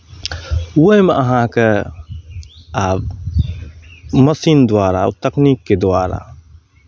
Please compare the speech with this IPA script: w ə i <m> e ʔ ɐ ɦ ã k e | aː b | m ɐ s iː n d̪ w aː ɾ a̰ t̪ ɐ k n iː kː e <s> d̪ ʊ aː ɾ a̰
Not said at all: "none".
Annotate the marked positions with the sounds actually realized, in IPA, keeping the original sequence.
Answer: m, none

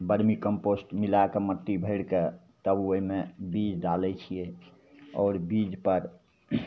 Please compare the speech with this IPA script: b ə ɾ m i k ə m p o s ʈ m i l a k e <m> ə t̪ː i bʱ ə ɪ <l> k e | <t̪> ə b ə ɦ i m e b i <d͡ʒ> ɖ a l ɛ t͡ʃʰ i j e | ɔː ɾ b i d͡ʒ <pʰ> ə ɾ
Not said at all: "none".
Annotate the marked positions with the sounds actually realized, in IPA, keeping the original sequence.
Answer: m, ɽ, t̪, d͡ʒ, p

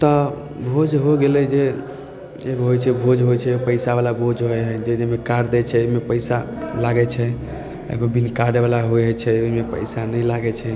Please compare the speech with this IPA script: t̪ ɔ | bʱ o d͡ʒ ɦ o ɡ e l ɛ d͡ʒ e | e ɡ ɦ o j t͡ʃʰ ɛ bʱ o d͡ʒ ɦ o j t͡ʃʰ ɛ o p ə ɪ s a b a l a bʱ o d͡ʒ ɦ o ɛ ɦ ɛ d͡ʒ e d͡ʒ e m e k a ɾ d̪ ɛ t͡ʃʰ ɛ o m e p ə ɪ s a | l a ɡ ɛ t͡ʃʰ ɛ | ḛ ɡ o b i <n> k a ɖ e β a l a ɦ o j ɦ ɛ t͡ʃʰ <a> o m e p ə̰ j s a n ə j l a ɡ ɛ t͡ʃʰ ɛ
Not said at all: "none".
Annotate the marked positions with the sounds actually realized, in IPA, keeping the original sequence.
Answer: n, ɛ

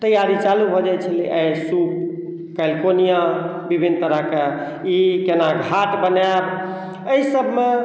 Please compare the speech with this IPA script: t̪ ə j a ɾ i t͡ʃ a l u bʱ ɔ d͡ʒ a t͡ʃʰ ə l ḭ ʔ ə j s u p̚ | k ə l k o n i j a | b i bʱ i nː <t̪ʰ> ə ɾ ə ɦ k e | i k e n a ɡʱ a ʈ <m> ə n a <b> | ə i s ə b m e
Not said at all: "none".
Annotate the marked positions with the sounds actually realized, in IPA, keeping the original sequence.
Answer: t̪, b, b

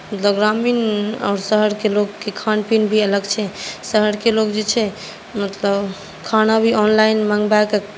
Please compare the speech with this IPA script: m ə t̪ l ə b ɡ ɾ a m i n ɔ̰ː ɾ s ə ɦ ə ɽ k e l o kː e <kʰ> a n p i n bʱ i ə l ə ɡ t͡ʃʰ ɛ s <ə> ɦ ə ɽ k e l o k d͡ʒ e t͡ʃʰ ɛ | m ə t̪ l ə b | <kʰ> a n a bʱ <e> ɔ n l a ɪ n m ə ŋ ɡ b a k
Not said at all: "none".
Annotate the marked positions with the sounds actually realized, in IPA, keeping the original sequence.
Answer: kʰ, ə, kʰ, i

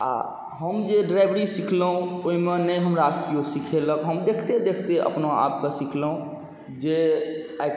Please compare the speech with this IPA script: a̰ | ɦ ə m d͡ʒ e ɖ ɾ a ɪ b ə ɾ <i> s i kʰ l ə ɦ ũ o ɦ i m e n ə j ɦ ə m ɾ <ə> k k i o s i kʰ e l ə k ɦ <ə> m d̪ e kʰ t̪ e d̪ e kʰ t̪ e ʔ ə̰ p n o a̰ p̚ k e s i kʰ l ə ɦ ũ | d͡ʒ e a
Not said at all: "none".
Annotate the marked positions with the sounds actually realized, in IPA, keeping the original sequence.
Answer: i, a, ə

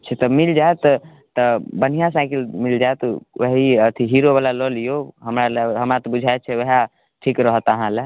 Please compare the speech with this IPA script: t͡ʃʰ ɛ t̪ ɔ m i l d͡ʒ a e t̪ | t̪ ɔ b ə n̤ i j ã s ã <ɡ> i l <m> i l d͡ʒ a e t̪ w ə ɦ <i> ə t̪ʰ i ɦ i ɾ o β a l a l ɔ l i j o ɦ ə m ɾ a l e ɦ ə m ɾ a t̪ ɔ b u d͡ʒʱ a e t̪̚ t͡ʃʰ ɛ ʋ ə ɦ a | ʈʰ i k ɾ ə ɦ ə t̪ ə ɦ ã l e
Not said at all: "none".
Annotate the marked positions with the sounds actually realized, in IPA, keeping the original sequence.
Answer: k, m, i

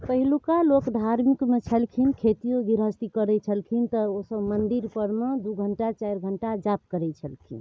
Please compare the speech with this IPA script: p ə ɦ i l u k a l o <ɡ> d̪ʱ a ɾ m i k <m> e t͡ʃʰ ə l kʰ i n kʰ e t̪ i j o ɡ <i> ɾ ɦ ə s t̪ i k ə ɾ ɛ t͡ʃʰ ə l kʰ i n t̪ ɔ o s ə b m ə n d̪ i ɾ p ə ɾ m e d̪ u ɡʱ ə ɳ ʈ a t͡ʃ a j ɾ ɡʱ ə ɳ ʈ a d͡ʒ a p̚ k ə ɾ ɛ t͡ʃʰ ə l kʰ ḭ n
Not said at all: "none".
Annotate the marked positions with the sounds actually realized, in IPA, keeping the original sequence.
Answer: k, m, i

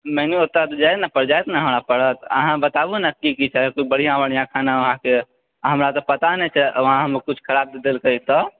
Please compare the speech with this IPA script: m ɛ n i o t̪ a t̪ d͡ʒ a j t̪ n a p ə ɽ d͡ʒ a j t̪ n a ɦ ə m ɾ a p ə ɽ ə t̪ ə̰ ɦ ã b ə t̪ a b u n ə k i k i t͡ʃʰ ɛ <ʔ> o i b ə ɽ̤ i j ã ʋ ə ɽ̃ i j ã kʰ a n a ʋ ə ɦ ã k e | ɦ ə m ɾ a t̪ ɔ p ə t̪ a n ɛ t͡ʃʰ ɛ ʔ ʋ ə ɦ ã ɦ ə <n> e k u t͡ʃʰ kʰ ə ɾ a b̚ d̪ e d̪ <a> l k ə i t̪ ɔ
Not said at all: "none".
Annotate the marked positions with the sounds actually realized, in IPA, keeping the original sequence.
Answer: k, m, e

